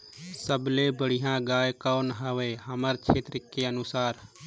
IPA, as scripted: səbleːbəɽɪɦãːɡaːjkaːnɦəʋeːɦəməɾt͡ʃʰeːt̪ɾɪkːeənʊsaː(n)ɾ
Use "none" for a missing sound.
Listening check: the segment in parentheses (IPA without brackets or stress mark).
none